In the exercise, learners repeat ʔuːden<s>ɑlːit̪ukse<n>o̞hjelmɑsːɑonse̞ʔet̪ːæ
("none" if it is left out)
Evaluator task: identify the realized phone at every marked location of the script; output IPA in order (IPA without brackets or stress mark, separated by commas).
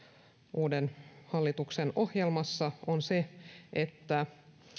h, n